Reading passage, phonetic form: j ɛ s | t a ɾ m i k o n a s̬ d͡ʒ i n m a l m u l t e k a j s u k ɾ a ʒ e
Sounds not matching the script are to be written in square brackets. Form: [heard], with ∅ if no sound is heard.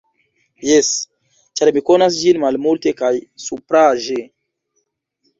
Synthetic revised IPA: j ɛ s | [t͡ʃ] a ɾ m i k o n a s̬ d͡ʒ i n m a l m u l t e k a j s u [p] ɾ a ʒ e